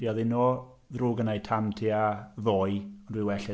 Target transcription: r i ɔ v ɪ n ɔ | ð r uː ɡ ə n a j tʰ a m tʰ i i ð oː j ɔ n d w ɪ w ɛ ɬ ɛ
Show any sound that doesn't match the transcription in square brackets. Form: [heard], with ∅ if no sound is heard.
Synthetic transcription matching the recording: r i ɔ [ð] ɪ n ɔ | ð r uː ɡ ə n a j tʰ a m tʰ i [a] ð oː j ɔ n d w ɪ w ɛ ɬ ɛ